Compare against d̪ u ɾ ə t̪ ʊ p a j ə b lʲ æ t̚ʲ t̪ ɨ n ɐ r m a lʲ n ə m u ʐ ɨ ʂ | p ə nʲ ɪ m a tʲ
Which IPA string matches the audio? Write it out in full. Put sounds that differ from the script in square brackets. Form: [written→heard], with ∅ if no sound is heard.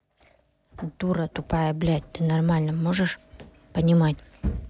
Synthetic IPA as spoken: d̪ u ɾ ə t̪ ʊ p a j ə b lʲ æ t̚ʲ t̪ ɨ n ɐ r m a lʲ n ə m [u→o] ʐ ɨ ʂ | p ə nʲ ɪ m a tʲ